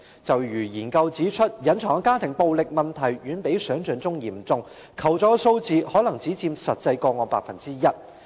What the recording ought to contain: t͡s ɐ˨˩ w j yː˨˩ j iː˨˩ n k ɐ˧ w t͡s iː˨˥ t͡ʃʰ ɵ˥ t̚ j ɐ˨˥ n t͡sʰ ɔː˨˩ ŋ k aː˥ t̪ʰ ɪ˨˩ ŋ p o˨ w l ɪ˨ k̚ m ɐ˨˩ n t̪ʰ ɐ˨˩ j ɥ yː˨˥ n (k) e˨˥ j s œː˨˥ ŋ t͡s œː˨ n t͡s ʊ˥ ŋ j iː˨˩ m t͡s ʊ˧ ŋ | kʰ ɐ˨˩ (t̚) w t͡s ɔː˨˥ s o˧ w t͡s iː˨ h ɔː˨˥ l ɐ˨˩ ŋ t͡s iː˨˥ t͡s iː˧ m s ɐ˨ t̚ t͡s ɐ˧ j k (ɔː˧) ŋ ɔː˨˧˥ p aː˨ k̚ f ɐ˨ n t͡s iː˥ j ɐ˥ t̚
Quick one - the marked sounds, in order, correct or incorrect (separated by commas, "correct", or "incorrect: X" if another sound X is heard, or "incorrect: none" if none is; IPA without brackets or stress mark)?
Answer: incorrect: p, incorrect: none, correct